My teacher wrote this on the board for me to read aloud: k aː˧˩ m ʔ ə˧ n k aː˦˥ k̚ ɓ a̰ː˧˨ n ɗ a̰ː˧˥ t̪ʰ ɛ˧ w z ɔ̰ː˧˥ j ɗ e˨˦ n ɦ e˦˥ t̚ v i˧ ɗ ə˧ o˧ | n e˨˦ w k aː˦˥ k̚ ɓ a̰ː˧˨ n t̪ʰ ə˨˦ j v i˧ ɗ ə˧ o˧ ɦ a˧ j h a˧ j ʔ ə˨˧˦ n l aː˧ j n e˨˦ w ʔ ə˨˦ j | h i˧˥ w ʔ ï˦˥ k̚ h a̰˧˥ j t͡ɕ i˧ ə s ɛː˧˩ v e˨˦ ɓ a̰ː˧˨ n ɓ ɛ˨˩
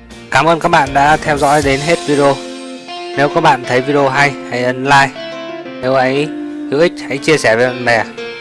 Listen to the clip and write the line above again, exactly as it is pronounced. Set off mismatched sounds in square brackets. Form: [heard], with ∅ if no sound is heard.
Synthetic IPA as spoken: k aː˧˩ m ʔ [əː˧] n k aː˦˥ k̚ ɓ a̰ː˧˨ n ɗ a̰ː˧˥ t̪ʰ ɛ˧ w z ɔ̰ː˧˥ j ɗ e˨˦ n ɦ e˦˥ t̚ v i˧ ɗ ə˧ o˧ | n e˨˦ w k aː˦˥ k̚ ɓ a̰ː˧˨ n t̪ʰ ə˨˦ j v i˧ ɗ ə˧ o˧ ɦ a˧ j h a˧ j ʔ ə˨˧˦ n l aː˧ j n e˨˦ w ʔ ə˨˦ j | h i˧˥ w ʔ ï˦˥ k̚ h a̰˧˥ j t͡ɕ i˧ ə s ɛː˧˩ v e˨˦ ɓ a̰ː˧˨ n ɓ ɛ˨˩

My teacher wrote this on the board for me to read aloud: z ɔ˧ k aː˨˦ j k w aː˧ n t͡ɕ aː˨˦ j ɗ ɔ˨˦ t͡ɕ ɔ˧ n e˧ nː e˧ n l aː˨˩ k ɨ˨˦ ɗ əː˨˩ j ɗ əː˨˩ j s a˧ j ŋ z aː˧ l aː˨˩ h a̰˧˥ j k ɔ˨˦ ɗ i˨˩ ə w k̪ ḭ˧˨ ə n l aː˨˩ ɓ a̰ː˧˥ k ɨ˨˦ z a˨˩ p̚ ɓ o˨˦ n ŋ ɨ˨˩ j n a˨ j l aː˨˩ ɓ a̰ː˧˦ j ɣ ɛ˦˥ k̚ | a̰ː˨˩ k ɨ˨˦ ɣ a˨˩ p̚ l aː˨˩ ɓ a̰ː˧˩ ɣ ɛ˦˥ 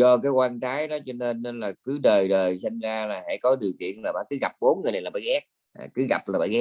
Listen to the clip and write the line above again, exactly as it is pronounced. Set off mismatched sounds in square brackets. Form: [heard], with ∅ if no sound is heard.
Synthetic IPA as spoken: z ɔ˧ k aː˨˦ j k w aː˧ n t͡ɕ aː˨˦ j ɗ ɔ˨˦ t͡ɕ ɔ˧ n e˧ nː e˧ n l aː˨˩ k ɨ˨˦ ɗ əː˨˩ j ɗ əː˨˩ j s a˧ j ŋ z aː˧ l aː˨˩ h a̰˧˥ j k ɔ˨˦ ɗ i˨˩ ə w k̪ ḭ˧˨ ə n l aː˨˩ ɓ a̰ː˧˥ k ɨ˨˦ [ɣ] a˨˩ p̚ ɓ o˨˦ n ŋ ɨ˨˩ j n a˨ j l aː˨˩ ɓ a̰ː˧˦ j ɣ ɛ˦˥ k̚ | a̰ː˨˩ k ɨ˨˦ ɣ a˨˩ p̚ l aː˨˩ ɓ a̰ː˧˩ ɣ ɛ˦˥

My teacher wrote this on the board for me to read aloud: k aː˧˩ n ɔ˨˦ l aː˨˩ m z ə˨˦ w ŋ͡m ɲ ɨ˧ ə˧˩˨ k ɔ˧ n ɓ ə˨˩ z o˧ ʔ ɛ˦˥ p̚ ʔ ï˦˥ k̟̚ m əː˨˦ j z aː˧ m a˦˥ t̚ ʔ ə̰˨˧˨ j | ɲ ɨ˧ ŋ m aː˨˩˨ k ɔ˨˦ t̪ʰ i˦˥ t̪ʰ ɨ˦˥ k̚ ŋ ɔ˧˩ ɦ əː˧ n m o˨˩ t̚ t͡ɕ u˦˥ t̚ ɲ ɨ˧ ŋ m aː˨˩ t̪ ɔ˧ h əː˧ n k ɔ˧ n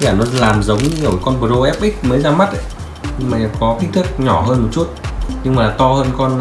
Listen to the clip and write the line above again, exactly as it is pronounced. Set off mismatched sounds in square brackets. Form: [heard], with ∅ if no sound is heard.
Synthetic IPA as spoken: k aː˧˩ n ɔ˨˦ l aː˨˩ m z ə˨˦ w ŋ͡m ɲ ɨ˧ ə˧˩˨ k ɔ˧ n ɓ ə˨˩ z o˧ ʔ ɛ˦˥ p̚ ʔ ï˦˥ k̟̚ m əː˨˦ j z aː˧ m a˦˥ t̚ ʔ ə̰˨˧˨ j | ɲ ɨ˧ ŋ m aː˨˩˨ k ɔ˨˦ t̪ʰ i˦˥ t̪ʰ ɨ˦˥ k̚ [ɲ] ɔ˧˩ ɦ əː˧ n m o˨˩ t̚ t͡ɕ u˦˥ t̚ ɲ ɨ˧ ŋ m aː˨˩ t̪ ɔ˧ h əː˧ n k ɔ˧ n

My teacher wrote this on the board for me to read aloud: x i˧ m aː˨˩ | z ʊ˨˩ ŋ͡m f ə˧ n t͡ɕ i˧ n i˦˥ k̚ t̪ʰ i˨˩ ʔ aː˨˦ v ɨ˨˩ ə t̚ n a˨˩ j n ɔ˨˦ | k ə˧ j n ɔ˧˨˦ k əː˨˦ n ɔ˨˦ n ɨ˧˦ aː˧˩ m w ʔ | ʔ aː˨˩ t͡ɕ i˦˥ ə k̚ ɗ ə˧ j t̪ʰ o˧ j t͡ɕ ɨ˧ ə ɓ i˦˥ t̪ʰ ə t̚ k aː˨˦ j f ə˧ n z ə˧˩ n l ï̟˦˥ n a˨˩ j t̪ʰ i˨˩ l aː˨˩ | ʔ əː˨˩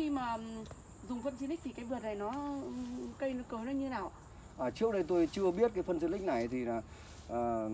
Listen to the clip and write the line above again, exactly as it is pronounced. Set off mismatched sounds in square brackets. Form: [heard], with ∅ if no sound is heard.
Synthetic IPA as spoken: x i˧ m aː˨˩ | z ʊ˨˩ ŋ͡m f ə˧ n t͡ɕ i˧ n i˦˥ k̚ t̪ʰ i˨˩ [k] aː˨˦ v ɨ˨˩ ə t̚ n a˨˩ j n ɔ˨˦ | k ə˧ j n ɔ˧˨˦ k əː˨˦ n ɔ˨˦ [ɲ] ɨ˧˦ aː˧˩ [∅] w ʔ | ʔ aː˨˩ t͡ɕ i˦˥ ə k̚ ɗ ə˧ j [t̪] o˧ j t͡ɕ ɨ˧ ə ɓ i˦˥ [∅] ə t̚ k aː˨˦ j f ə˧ n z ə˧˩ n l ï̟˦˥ n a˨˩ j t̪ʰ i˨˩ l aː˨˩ | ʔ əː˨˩

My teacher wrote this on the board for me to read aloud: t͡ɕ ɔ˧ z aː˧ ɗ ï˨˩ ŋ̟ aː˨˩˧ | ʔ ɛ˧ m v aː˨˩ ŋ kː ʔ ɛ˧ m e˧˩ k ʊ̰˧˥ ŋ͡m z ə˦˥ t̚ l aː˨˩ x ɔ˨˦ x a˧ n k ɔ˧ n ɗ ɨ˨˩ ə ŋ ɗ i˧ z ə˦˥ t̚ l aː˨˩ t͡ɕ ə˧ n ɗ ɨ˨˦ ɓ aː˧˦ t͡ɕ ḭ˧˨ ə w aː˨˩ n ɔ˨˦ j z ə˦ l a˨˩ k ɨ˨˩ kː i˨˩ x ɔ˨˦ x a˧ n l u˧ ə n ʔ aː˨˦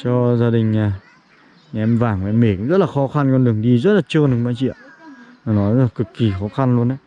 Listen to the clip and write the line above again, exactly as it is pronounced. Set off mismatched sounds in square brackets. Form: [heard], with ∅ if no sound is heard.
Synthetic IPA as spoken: t͡ɕ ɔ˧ z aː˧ ɗ ï˨˩ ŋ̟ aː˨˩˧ | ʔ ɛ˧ m v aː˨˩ ŋ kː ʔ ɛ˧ m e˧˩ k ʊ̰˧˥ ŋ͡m z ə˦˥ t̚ l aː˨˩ x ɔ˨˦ x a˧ n k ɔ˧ n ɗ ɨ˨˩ ə ŋ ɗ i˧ z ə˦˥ t̚ l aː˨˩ t͡ɕ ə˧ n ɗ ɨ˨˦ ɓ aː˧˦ t͡ɕ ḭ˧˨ ə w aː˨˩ n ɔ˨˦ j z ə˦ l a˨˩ k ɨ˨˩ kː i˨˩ x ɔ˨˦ x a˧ n l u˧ ə n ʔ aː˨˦

